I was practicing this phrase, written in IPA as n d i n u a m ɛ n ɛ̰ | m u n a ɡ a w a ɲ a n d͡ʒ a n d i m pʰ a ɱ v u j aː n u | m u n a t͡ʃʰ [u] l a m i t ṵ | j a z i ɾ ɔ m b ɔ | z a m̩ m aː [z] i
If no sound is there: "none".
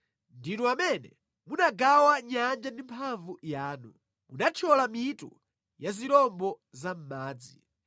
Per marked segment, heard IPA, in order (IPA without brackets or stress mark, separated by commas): ɔ, d͡z